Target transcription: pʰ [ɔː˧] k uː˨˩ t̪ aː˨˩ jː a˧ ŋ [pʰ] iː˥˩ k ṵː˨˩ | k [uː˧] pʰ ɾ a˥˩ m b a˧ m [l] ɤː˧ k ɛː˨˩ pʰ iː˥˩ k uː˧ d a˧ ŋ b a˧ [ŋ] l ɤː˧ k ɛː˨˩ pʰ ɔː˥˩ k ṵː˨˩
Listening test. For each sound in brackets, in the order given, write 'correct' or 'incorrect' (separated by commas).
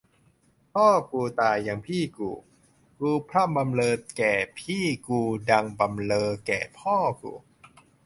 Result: incorrect, correct, correct, correct, incorrect